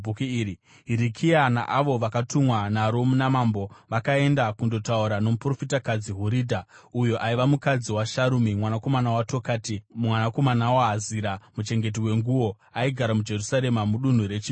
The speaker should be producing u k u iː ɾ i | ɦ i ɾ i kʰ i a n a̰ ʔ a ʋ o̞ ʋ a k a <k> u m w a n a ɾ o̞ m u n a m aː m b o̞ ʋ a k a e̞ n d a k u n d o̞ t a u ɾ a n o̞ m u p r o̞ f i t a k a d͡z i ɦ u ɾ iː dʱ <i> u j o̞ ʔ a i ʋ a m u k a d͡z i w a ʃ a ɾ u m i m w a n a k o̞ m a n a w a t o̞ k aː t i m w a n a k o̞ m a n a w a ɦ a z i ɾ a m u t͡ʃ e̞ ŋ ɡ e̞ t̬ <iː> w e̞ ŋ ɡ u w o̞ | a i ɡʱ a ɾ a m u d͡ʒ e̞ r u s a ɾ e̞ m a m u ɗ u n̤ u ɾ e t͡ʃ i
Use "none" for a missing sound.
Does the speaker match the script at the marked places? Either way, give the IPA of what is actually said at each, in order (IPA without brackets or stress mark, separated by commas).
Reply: t, a, i